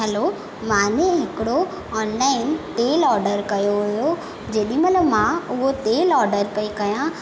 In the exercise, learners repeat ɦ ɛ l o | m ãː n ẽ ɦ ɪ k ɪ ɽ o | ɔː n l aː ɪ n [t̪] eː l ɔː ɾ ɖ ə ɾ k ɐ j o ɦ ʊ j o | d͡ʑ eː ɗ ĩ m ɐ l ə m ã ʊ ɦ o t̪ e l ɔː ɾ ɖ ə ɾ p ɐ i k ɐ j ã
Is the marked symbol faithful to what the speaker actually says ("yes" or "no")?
yes